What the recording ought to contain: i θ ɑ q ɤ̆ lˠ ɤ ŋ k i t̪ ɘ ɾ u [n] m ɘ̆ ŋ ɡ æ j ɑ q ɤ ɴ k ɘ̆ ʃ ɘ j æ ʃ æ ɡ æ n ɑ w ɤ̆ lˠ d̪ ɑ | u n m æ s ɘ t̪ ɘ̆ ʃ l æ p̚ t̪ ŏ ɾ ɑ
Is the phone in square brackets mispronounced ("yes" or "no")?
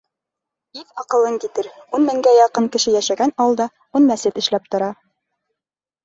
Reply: no